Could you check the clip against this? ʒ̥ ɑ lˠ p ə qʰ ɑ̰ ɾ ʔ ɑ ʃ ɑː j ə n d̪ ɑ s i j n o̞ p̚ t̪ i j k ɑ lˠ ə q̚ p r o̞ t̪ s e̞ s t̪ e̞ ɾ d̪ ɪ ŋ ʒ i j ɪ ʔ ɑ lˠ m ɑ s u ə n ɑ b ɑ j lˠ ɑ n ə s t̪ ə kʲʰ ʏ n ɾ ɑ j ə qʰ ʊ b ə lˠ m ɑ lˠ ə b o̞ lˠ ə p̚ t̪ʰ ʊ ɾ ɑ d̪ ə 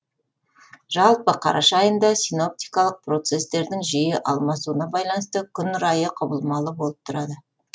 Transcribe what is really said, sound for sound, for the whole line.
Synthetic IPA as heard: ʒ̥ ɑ lˠ p ə qʰ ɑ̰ ɾ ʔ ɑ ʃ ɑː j ə n d̪ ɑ s i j n o̞ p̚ t̪ i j k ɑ lˠ ə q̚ p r o̞ t̪ s e̞ s t̪ e̞ ɾ d̪ ɪ ŋ ʒ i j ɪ ʔ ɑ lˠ m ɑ s u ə n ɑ b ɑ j lˠ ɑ n ə s t̪ ə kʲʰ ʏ n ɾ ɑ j ə qʰ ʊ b ə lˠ m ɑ lˠ ə b o̞ lˠ ə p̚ t̪ʰ ʊ ɾ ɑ d̪ ə